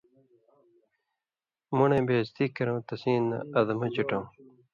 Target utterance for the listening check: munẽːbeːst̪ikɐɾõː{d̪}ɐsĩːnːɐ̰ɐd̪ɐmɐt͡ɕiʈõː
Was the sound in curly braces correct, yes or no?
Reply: no